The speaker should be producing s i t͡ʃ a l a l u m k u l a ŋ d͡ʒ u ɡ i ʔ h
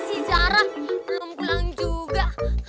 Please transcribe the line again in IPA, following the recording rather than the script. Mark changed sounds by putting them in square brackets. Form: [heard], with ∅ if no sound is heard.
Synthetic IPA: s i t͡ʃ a [ɾ] a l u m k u l a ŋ d͡ʒ u ɡ [a] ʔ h